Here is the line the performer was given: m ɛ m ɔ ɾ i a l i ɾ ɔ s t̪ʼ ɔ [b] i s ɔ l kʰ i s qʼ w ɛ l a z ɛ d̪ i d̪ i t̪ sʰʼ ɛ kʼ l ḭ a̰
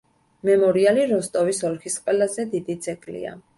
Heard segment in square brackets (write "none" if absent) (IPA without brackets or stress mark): v